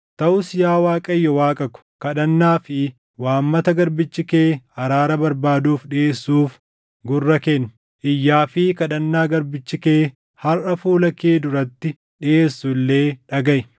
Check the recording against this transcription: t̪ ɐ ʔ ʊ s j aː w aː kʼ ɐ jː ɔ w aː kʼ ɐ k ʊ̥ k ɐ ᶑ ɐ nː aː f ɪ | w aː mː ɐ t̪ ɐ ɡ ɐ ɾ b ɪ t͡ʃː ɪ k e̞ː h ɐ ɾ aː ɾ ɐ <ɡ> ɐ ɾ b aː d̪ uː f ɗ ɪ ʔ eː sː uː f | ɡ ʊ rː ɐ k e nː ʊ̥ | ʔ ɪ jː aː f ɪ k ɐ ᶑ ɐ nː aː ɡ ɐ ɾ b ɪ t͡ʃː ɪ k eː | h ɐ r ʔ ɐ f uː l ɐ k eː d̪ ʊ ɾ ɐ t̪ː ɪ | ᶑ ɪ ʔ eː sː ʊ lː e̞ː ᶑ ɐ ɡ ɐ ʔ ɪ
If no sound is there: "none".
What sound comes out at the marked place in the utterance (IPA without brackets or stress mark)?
b